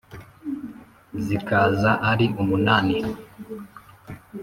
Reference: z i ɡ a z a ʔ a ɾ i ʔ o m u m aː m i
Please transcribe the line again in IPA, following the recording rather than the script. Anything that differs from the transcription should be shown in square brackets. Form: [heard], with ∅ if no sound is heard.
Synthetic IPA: z i [k] a z a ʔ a ɾ i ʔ [u] m u [n] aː [n] i